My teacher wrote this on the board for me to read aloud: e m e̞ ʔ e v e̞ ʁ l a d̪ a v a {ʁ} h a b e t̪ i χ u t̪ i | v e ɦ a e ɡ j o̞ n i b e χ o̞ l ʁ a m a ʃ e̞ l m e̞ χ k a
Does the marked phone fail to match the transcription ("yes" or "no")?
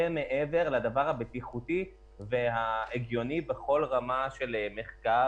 no